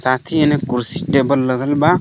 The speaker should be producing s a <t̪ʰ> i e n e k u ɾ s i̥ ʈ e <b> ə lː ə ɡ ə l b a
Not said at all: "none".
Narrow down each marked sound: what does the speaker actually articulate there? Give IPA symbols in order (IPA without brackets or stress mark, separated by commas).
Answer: t̪ʰ, b